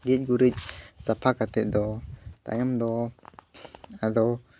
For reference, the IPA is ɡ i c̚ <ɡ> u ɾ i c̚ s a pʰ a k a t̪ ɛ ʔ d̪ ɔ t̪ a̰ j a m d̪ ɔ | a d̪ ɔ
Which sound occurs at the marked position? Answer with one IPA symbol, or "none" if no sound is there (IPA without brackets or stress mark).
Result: ɡ